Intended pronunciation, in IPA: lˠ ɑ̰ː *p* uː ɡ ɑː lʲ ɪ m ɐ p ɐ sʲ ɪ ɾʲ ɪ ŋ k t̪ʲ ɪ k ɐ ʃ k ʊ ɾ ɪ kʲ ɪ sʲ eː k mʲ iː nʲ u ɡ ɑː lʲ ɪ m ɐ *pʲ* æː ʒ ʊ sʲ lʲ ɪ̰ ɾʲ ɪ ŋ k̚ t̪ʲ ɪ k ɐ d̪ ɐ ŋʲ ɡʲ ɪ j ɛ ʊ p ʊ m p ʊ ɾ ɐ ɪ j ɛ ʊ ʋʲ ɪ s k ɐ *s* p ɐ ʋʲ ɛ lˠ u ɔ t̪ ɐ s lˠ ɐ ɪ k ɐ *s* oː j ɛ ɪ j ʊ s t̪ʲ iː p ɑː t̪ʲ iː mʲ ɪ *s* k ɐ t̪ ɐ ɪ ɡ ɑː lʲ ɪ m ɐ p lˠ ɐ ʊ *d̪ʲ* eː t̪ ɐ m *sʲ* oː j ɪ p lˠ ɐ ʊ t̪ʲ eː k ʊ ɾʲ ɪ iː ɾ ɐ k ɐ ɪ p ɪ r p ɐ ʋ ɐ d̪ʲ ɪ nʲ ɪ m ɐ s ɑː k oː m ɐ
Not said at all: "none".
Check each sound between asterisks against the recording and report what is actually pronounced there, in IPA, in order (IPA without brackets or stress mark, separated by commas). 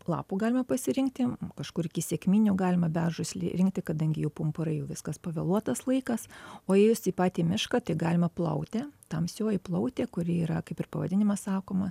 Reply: p, bʲ, s, s, ʃ, t̪ʲ, sʲ